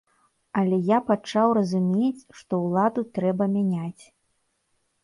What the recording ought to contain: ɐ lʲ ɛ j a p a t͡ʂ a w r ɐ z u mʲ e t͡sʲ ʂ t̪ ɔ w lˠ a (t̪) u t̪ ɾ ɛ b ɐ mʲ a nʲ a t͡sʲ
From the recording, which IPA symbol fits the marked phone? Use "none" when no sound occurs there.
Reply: d̪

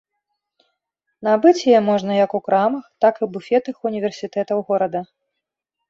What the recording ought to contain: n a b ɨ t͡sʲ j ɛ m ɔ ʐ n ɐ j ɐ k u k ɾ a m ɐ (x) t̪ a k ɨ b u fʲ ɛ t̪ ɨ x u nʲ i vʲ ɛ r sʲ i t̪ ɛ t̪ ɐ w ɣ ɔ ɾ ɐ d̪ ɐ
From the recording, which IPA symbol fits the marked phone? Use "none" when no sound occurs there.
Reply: x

